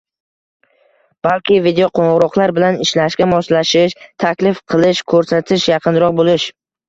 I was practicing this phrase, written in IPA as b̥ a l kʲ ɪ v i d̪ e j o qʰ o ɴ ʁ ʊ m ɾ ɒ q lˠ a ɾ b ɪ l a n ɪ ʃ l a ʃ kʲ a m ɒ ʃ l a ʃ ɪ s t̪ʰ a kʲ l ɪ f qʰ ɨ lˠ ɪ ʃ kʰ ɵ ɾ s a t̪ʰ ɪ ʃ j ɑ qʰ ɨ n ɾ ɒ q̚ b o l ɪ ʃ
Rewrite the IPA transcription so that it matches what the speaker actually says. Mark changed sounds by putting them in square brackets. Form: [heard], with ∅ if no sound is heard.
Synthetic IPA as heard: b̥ a l kʲ ɪ v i d̪ e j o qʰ o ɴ ʁ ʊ [∅] ɾ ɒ q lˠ a ɾ b ɪ l a n ɪ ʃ l a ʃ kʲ a m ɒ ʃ l a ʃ ɪ [ʃ] t̪ʰ a kʲ l ɪ f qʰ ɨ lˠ ɪ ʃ kʰ ɵ ɾ s a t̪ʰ ɪ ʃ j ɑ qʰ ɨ n ɾ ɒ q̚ b o l ɪ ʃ

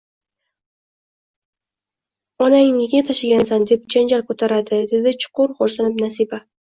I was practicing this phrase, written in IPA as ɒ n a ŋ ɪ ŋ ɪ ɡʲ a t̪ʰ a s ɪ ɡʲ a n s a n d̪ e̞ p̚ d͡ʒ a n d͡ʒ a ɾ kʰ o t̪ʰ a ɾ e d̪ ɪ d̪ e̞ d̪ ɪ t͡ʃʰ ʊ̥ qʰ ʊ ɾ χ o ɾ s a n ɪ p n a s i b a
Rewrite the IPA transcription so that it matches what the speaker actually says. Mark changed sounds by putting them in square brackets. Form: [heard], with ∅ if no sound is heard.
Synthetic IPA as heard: ɒ n a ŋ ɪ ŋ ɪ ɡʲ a t̪ʰ a [ʃ] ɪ ɡʲ a n s a n d̪ e̞ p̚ d͡ʒ a n d͡ʒ a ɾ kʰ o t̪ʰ a ɾ [a] d̪ ɪ d̪ e̞ d̪ ɪ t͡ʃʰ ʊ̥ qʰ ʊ ɾ χ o ɾ s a n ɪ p n a s i b a

